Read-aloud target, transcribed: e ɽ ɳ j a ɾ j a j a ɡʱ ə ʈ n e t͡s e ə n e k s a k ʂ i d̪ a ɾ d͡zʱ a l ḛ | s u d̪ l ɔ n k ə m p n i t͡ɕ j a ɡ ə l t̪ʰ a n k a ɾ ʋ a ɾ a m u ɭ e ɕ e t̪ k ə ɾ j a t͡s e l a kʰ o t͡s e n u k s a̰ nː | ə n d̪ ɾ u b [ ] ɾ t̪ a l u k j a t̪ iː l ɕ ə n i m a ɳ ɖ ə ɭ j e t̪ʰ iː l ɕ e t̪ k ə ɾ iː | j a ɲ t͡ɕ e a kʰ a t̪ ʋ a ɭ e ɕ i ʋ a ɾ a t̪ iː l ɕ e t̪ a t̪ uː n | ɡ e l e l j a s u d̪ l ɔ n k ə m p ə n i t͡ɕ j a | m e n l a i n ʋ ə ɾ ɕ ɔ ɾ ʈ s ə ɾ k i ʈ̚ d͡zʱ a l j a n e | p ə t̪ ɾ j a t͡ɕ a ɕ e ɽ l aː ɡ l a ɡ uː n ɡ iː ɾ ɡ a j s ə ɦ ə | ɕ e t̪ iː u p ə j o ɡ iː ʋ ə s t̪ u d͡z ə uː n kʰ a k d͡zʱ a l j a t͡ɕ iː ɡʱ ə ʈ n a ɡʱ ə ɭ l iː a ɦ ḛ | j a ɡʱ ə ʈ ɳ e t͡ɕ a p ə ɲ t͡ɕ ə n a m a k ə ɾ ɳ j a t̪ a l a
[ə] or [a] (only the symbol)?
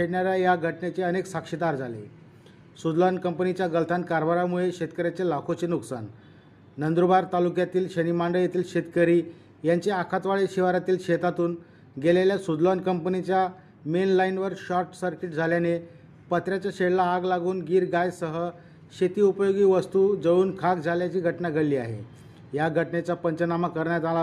a